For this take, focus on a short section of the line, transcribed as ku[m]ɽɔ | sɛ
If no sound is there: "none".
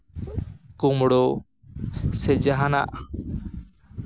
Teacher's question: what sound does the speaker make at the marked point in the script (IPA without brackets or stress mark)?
m